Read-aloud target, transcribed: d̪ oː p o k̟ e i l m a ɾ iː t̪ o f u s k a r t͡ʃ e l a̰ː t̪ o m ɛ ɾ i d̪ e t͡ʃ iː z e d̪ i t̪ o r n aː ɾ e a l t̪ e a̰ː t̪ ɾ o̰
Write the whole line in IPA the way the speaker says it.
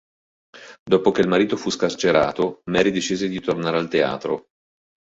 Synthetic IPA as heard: d̪ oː p o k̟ e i l m a ɾ iː t̪ o f u s k a r t͡ʃ e ɾ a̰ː t̪ o m ɛ ɾ i d̪ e t͡ʃ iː z e d̪ i t̪ o r n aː ɾ e a l t̪ e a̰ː t̪ ɾ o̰